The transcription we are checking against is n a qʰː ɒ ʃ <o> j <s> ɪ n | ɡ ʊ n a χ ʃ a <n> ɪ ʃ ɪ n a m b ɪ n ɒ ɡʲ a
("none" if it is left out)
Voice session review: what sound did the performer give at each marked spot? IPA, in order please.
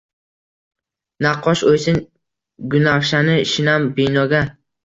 o, s, n

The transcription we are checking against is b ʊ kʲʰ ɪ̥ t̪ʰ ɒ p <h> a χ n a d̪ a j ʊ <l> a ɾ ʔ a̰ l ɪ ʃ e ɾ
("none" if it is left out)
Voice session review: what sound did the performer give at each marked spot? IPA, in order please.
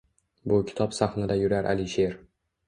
s, ɾ

